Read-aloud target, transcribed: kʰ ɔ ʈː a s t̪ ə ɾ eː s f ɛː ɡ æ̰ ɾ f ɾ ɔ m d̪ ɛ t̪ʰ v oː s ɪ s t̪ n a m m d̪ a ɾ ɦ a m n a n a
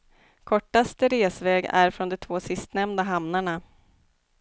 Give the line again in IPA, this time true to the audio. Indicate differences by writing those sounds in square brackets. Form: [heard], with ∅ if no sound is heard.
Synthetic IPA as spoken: kʰ ɔ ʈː a s t̪ ə ɾ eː s [v] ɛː ɡ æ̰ ɾ f ɾ ɔ [n] d̪ ɛ t̪ʰ v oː s ɪ s t̪ n [ɛ] m [n] d̪ a [∅] ɦ a m n a [ɳ] a